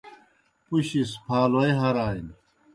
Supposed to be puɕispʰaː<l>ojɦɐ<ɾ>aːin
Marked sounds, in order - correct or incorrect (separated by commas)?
correct, correct